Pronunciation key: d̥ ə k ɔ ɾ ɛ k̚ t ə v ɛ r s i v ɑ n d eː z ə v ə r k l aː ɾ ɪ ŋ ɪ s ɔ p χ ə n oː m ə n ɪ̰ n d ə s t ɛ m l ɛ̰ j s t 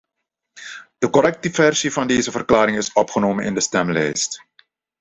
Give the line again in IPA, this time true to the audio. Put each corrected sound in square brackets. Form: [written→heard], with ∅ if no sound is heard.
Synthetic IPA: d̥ ə k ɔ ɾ ɛ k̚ t ə v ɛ r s i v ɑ n d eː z ə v ə r k l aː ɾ ɪ ŋ ɪ s ɔ p χ ə n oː m ə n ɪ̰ n d ə s t ɛ m l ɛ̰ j s t